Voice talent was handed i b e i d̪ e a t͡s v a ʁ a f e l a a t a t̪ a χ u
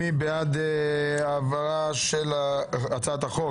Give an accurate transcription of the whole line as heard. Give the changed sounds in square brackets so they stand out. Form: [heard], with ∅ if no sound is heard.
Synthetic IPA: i b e [a] d̪ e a [∅] v a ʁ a [ʃ] e l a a [t͡s] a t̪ a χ [o]